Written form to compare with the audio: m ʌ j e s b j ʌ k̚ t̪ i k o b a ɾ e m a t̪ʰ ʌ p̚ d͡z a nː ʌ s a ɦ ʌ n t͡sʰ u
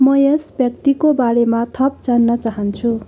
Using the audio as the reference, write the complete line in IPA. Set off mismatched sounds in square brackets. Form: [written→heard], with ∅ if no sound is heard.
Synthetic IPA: m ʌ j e s b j ʌ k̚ t̪ i k o b a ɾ e m a t̪ʰ ʌ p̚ d͡z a nː ʌ [s→t͡s] a ɦ ʌ n t͡sʰ u